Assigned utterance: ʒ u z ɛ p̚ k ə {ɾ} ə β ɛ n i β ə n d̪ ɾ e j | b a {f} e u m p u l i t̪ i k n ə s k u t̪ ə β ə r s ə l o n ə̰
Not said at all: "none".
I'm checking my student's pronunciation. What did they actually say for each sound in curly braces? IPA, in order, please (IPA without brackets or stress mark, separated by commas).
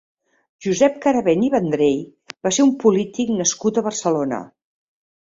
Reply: ɾ, s